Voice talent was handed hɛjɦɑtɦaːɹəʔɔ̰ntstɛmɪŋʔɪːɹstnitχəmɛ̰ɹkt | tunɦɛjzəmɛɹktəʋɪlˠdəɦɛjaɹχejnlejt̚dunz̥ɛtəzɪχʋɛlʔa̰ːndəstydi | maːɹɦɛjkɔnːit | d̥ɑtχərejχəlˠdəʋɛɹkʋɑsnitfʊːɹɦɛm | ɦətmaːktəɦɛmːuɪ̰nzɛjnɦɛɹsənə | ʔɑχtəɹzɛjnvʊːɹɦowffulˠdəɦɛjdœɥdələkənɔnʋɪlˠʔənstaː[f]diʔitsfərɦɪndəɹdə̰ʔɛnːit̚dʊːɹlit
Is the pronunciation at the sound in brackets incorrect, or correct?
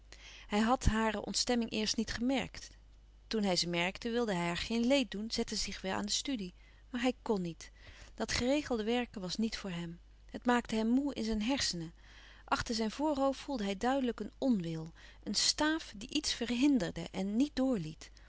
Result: correct